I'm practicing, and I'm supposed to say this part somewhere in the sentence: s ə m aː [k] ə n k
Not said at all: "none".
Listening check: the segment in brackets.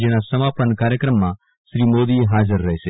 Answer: p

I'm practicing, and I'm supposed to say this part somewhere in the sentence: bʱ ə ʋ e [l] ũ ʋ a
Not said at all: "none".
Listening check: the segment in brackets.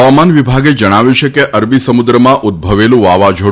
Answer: l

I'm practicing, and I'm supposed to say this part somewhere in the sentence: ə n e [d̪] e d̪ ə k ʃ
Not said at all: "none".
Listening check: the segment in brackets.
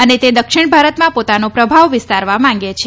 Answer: t̪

